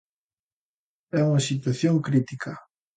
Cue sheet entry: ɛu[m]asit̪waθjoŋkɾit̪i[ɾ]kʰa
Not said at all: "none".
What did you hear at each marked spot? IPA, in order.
ŋ, none

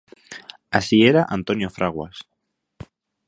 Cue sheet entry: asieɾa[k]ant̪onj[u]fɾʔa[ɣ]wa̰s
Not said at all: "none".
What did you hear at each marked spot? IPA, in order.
ʔ, o, ɣ

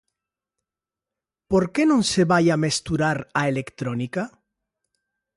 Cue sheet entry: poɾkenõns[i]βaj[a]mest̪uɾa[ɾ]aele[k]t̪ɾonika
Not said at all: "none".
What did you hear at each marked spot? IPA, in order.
e, a, ɾ, k

